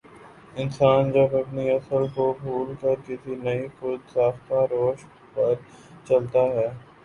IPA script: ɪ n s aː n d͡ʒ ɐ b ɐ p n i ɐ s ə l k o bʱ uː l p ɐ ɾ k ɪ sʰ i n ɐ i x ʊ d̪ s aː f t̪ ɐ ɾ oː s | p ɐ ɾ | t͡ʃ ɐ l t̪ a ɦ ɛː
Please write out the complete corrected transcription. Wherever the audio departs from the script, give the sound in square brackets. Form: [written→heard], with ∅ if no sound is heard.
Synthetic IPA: ɪ n s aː n d͡ʒ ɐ b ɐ p n i ɐ s ə l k o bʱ uː l [p→k] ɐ ɾ k ɪ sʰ i n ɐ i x ʊ d̪ s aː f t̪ [ɐ→a] ɾ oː [s→ʃ] | p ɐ ɾ | t͡ʃ ɐ l t̪ a ɦ ɛː